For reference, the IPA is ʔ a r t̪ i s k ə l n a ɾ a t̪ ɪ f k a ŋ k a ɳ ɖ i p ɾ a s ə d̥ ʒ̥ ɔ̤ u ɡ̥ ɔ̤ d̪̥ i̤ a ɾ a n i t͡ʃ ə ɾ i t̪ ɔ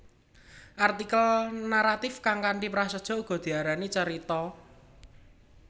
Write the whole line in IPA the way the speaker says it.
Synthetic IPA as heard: ʔ a r t̪ i k ə l n a ɾ a t̪ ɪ f k a ŋ k a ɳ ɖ i p ɾ a s ə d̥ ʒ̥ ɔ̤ u ɡ̥ ɔ̤ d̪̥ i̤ a ɾ a n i t͡ʃ ə ɾ i t̪ ɔ